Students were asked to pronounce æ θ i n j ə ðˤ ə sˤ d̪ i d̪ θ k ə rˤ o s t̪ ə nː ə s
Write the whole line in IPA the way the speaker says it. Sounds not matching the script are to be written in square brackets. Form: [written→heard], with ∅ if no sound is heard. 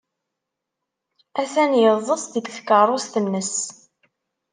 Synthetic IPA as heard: æ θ [i→æ] n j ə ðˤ ə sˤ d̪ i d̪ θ k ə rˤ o s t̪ ə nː ə s